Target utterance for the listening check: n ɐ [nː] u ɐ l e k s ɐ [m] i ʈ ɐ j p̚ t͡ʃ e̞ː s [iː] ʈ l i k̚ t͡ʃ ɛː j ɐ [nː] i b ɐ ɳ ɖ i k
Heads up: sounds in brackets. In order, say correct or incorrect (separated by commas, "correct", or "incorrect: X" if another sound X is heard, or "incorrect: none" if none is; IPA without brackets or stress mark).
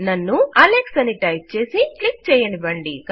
correct, incorrect: n, incorrect: i, incorrect: n